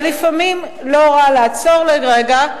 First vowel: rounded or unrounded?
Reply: unrounded